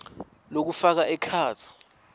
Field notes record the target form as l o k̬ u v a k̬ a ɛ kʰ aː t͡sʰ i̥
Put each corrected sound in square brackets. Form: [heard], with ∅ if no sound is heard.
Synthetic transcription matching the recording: l o k̬ u [f] a k̬ a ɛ kʰ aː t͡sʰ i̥